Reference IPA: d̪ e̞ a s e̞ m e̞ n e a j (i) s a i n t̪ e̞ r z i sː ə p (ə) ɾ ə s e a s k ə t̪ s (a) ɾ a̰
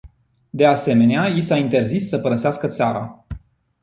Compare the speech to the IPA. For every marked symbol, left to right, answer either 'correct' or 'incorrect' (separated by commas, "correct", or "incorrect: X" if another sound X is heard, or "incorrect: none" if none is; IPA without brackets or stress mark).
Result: correct, correct, correct